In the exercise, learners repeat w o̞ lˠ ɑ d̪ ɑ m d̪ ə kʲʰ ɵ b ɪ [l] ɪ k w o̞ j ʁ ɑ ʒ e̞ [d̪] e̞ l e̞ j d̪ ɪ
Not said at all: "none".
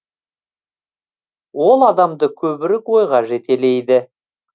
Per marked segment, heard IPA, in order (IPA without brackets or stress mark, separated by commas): ɾ, t̪